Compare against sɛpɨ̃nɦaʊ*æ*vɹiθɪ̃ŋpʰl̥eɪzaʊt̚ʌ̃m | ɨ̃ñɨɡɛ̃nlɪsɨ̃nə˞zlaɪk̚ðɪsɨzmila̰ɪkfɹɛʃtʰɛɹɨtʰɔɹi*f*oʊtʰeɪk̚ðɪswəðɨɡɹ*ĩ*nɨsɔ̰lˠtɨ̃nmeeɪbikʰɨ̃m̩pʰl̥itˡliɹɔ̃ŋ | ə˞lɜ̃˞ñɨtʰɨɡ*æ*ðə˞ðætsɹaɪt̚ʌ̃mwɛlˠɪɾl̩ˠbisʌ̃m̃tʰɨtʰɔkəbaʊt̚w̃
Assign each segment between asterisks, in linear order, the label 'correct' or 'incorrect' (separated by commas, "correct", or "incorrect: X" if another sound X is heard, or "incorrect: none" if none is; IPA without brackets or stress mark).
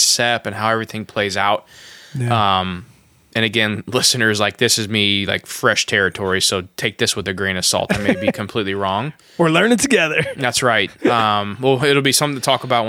incorrect: ɛ, incorrect: s, correct, incorrect: ɛ